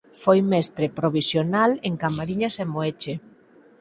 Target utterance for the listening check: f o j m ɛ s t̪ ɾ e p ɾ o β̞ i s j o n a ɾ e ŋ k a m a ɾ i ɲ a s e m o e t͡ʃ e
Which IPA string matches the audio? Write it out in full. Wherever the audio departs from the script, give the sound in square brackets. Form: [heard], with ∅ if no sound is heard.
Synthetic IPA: f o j m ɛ s t̪ ɾ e p ɾ o β̞ i s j o n a [l] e ŋ k a m a ɾ i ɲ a s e m o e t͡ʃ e